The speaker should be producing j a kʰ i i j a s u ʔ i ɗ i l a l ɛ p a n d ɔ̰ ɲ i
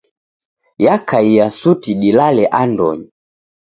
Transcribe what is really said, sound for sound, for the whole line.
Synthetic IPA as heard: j a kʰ a i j a s u t i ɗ i l a l ɛ ʔ a n d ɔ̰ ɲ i